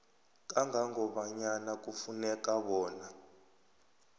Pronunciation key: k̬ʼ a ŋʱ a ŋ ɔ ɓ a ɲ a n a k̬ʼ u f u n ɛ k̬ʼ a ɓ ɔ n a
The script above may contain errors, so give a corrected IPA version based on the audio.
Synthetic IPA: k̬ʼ a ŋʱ a ŋ ɔ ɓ a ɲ a n a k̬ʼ u f u n ɛ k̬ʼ a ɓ ɔː n a